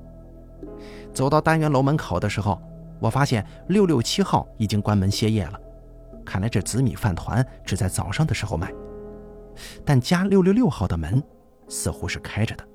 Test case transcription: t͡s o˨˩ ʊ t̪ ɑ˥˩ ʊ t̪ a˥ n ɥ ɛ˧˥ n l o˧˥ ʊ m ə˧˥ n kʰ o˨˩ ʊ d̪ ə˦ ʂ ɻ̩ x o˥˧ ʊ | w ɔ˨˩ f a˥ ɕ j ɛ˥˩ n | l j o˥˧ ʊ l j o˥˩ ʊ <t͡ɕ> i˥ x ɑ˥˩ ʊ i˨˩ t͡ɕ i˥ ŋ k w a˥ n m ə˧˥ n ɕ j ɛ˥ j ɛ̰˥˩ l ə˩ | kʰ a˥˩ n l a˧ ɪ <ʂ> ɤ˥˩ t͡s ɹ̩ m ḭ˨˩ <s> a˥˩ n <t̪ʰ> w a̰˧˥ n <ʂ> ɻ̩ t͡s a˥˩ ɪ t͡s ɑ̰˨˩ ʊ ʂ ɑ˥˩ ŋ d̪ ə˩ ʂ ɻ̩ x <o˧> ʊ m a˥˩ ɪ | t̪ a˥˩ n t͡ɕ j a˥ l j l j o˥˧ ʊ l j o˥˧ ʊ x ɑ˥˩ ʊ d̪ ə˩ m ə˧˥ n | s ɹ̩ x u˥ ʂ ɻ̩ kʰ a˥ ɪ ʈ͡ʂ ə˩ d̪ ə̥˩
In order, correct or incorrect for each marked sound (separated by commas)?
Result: incorrect, incorrect, incorrect, correct, incorrect, correct